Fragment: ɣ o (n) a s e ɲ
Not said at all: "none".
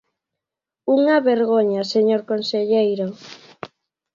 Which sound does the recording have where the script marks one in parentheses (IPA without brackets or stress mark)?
ɲ